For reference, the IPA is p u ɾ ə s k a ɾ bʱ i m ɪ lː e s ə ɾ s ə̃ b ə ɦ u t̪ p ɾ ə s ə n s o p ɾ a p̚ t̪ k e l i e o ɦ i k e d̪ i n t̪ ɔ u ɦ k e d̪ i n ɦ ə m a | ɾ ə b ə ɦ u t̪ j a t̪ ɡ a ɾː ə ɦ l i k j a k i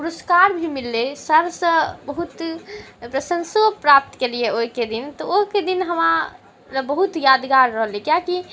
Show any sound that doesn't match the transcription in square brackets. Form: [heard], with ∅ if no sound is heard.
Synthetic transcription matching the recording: p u ɾ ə s k a ɾ bʱ i m [i] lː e s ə ɾ s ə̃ b ə ɦ u t̪ p ɾ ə s ə n s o p ɾ a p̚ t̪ k e l i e o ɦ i k e d̪ i n t̪ ɔ [o] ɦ k e d̪ i n ɦ ə m a | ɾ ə b ə ɦ u t̪ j a [d̪] ɡ a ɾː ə ɦ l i k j a k i